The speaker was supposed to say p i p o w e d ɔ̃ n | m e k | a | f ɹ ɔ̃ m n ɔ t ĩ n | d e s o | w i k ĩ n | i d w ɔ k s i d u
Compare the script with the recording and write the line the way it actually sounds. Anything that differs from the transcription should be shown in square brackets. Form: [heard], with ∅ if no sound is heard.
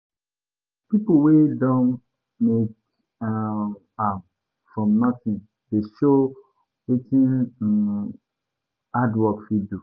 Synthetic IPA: p i p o w e d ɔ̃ n | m e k | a | f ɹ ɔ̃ m n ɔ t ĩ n | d e [ʃ] o | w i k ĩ n | [a] d w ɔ k [f] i d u